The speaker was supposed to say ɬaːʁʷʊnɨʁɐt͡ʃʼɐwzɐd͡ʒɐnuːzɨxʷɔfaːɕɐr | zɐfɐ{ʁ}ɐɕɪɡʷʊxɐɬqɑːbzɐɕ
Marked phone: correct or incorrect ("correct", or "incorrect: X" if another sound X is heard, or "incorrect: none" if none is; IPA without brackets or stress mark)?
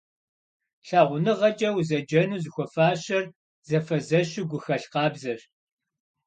incorrect: z